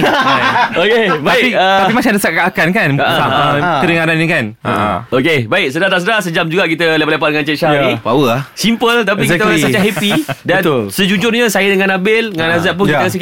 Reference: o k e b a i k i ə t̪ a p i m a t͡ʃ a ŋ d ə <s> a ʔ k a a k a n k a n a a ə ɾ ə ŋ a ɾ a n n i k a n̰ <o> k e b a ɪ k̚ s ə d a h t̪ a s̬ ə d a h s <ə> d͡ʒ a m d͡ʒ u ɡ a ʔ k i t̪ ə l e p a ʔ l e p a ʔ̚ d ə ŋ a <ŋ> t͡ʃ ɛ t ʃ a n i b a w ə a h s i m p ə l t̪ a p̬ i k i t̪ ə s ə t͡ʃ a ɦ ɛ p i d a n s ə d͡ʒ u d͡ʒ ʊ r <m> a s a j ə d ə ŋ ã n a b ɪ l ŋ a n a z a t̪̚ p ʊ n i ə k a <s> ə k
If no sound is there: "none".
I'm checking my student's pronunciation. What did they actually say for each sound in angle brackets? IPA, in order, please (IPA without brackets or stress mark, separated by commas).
s, o, ə, n, ɲ, s